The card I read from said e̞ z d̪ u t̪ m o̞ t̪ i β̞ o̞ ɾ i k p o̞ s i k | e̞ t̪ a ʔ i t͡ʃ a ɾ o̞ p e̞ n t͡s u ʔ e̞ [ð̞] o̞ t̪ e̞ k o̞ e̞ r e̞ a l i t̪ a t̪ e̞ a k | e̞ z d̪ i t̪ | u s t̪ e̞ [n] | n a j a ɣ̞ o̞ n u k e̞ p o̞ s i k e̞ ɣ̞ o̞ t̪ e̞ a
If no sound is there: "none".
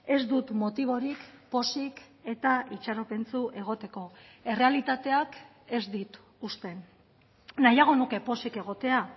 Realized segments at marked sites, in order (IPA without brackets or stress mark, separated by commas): ɣ̞, n